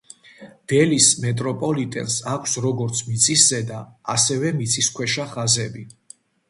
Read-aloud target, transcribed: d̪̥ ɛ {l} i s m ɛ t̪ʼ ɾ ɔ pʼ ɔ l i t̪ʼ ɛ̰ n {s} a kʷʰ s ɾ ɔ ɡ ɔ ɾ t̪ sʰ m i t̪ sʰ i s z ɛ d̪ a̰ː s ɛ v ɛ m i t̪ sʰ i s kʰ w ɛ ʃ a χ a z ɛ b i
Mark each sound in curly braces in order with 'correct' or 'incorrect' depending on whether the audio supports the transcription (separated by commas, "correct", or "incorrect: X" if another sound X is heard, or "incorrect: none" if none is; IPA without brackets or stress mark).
correct, correct